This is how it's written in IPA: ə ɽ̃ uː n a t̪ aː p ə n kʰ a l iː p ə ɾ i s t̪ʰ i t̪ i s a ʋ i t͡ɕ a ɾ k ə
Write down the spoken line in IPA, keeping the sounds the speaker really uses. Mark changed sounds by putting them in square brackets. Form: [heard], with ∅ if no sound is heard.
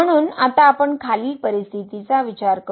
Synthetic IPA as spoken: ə ɽ̃ uː n a t̪ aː p ə [ɳ] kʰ a l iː p ə ɾ i s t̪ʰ i t̪ i [t͡s] a ʋ i t͡ɕ a ɾ k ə